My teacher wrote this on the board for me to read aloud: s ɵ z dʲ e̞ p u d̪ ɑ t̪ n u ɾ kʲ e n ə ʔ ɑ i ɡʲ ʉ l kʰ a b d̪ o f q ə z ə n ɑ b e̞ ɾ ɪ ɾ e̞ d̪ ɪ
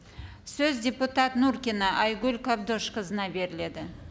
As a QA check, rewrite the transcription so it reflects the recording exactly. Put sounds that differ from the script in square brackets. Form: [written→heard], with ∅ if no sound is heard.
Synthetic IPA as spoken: s ɵ z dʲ e̞ p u [d̪→t̪] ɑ t̪ n u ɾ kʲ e n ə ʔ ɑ [i→j] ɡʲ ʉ l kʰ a b d̪ o [f→ʃ] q ə z ə n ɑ b e̞ ɾ ɪ [ɾ→l] e̞ d̪ ɪ

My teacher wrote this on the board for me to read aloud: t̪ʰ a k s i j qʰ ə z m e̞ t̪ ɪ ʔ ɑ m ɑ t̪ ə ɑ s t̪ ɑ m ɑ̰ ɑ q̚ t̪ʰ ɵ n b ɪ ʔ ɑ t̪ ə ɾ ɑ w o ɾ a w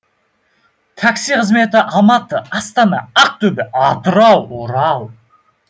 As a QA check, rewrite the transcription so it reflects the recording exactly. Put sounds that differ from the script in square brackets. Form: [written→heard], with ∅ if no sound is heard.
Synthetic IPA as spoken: t̪ʰ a k s i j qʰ ə z m e̞ t̪ ɪ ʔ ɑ m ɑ t̪ ə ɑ s t̪ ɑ [m→n] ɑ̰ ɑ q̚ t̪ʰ ɵ [n→∅] b ɪ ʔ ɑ t̪ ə ɾ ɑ w o ɾ [a→ɑ] w

